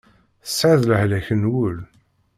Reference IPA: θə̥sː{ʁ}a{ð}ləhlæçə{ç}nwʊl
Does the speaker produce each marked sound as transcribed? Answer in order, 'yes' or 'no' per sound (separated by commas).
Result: no, yes, no